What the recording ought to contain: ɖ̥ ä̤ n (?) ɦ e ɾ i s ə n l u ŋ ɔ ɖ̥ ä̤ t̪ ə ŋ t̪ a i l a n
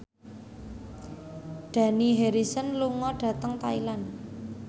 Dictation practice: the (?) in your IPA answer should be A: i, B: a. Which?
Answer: A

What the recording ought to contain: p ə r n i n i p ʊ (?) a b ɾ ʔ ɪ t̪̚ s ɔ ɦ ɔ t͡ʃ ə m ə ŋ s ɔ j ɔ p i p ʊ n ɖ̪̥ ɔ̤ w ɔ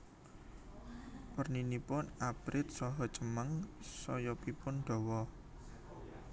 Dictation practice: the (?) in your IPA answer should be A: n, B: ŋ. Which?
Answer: A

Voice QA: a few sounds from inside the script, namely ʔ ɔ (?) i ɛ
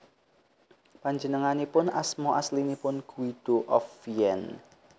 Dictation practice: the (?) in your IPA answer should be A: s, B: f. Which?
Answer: B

